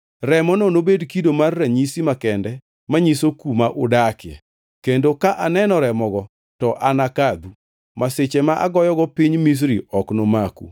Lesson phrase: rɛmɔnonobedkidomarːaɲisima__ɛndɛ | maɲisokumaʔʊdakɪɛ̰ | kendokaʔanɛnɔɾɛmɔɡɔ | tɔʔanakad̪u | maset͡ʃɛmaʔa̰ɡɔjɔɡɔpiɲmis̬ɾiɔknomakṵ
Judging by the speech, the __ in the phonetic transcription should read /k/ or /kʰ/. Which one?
k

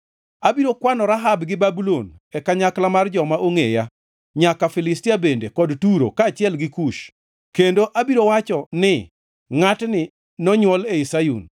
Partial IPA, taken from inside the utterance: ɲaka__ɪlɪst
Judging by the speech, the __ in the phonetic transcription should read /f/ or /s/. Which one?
f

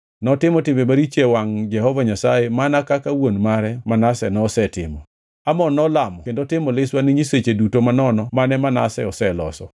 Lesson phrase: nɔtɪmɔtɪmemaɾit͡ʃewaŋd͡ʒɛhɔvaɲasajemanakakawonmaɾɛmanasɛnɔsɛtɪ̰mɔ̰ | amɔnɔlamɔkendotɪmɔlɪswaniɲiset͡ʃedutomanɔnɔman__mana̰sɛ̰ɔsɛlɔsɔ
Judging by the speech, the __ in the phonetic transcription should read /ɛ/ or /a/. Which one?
ɛ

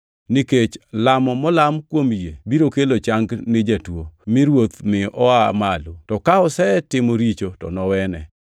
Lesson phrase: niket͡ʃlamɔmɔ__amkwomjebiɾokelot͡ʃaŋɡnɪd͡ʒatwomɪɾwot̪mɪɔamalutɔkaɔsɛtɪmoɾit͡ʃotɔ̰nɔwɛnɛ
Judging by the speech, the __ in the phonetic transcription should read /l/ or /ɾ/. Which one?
l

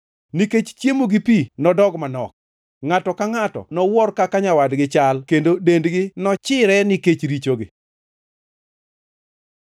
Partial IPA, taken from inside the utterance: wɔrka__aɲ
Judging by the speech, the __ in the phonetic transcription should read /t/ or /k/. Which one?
k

